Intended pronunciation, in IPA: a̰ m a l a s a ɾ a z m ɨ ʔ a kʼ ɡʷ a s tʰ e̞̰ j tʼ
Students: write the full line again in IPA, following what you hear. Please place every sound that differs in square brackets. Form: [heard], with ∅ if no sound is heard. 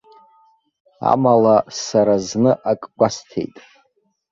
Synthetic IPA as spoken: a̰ m a l a s a ɾ a z [n] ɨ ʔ a kʼ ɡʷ a s tʰ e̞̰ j tʼ